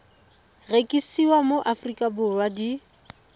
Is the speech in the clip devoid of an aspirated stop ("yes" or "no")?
yes